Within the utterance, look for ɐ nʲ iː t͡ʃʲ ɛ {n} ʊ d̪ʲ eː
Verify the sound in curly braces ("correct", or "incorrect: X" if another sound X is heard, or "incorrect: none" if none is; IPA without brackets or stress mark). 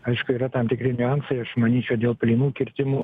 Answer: incorrect: none